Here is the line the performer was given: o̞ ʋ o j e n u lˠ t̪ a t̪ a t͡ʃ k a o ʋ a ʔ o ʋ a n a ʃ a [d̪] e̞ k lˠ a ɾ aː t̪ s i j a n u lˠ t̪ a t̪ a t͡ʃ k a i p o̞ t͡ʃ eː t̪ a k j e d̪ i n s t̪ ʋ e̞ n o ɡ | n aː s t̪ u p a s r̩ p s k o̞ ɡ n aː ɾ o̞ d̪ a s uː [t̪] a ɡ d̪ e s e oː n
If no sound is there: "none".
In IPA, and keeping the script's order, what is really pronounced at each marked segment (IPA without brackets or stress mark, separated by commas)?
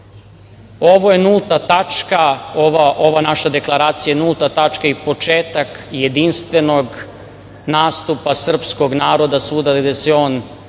d̪, d̪